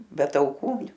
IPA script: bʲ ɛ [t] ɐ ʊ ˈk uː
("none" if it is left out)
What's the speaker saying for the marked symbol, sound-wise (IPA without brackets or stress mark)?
t